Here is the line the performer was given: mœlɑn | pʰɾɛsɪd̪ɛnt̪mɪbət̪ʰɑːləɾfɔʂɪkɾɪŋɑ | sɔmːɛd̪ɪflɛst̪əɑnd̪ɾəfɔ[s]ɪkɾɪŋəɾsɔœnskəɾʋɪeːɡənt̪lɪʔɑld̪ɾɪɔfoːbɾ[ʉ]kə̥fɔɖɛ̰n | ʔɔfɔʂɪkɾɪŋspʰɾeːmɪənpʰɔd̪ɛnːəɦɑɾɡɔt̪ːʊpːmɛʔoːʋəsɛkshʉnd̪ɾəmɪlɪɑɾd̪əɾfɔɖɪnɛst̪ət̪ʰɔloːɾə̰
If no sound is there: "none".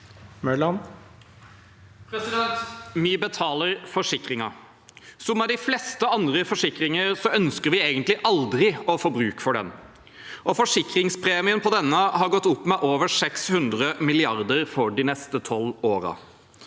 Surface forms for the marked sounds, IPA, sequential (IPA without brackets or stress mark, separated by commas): ʂ, ʉː